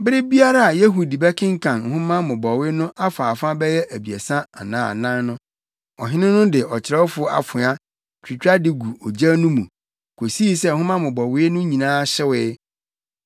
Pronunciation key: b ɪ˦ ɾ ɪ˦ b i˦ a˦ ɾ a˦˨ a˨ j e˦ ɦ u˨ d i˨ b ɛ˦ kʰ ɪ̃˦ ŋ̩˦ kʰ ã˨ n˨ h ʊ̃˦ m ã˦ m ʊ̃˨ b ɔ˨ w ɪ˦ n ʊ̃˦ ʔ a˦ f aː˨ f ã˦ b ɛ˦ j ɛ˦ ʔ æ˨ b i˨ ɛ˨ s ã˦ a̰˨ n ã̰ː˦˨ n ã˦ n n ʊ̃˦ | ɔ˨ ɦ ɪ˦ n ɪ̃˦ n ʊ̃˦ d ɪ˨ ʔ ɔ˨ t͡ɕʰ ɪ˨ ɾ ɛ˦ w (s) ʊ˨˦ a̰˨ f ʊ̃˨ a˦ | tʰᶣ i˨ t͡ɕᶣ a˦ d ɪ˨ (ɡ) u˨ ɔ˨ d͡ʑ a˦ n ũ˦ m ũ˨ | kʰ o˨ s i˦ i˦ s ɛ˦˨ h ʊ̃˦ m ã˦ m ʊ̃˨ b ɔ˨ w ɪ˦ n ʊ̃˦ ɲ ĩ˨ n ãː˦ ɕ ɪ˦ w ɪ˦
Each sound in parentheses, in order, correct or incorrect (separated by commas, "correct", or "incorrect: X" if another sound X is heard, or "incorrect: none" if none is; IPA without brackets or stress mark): incorrect: f, correct